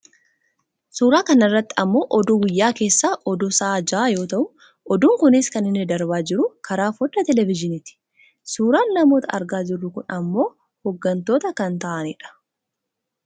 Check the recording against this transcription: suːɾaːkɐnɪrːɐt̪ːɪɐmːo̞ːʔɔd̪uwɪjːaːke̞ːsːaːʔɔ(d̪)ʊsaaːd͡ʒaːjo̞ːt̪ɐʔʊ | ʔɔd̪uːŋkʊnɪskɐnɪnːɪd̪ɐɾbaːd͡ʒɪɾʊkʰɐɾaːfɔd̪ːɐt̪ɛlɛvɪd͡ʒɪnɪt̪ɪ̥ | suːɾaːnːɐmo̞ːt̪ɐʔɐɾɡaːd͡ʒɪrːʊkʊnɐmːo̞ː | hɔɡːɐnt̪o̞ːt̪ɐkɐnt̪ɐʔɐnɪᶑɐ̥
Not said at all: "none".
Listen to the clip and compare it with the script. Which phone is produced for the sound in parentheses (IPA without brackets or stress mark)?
d̪